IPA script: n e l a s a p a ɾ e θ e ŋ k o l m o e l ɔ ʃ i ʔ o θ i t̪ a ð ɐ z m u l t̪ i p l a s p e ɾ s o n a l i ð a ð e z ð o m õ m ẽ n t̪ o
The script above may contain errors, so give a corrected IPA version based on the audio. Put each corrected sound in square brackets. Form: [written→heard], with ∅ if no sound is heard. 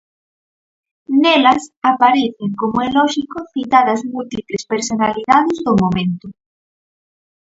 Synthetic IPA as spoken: n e l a s a p a ɾ e θ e ŋ k o [l→∅] m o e l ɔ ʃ i [ʔ→k] o θ i t̪ a ð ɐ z m u l t̪ i p l [a→e] s p e ɾ s o n a l i ð a ð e z ð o m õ m ẽ n t̪ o